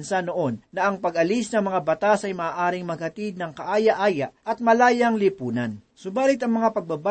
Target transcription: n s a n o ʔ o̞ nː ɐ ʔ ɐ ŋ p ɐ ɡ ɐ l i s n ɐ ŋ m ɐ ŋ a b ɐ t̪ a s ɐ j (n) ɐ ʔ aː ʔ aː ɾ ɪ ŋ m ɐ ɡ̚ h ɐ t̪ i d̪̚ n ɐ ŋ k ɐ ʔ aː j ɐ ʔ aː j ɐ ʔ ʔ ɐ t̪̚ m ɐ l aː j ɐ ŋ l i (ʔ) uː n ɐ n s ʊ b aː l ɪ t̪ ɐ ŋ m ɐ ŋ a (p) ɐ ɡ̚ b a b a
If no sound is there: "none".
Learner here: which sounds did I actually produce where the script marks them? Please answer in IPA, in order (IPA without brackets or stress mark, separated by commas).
m, p, p